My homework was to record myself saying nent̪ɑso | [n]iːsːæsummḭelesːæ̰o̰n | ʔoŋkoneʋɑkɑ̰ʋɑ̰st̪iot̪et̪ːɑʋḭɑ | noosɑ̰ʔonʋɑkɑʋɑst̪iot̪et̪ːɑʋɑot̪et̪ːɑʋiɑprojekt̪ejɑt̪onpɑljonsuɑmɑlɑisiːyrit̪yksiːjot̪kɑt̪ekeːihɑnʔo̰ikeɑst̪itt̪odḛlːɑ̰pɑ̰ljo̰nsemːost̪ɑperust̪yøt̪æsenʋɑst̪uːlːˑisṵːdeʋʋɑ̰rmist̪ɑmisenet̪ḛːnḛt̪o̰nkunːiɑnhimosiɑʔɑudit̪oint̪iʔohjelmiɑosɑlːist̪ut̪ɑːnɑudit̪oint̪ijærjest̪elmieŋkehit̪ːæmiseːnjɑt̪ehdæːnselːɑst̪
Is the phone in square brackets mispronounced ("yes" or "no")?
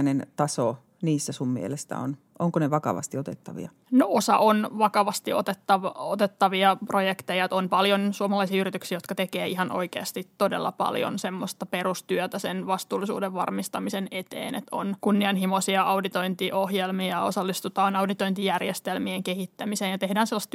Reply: no